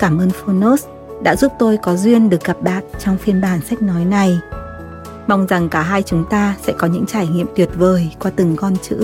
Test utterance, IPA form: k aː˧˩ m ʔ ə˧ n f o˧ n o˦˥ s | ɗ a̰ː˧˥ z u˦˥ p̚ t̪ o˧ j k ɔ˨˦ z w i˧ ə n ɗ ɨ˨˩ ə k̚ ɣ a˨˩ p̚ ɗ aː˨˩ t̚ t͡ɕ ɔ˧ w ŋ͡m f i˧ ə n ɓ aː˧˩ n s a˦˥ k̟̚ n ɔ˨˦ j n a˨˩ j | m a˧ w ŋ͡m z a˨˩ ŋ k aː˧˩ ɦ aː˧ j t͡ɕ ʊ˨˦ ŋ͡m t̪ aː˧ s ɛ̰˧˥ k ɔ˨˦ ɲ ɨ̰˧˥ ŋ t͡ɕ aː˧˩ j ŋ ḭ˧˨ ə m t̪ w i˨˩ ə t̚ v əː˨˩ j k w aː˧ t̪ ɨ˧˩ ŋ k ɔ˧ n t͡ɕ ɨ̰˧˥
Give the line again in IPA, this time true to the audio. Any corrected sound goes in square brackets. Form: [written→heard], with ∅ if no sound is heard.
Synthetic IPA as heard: k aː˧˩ m ʔ [ə˧→əː˧] n f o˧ n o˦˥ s | ɗ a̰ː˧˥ z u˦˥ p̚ t̪ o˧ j k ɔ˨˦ z w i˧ ə n ɗ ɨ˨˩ ə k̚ ɣ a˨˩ p̚ ɗ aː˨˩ t̚ t͡ɕ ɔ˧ w ŋ͡m f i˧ ə n ɓ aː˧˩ n s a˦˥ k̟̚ n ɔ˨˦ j n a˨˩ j | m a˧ w ŋ͡m z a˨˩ ŋ k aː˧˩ ɦ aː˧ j t͡ɕ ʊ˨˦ ŋ͡m t̪ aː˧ s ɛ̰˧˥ k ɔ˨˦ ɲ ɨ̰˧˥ ŋ t͡ɕ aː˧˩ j ŋ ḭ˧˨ ə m t̪ w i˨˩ ə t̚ v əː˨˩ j k w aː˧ t̪ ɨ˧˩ ŋ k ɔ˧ n t͡ɕ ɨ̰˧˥